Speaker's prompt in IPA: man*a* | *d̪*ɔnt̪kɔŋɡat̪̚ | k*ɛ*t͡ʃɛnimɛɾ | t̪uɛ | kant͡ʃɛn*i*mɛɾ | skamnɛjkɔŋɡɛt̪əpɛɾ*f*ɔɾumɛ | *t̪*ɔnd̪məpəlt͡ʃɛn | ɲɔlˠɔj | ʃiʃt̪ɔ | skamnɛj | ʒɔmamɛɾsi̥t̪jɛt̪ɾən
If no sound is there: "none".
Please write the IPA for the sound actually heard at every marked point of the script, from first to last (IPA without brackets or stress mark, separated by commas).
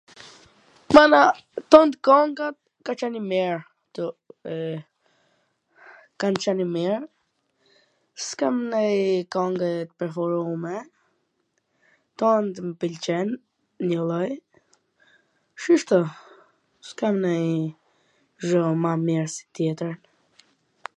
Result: a, t̪, a, i, f, t̪